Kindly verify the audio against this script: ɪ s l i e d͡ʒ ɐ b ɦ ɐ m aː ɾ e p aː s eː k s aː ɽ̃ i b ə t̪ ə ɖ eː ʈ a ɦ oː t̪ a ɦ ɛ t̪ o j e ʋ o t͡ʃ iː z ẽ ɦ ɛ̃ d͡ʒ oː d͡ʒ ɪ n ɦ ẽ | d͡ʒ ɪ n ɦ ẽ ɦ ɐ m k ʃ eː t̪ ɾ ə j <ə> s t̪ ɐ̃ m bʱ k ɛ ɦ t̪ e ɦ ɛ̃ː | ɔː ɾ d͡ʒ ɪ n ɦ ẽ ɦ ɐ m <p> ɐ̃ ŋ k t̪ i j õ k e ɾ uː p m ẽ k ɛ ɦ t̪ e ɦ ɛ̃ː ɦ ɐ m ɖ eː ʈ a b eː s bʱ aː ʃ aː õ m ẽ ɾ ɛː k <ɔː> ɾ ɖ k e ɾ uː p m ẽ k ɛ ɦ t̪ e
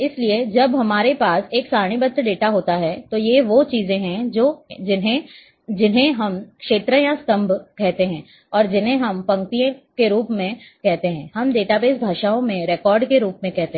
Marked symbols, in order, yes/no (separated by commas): no, yes, yes